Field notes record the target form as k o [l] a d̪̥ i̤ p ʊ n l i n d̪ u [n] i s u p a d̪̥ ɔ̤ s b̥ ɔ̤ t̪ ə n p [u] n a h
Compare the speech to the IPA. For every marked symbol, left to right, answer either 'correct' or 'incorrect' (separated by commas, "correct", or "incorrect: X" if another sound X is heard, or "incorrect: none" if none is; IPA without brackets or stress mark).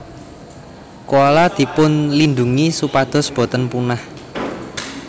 correct, incorrect: ŋ, correct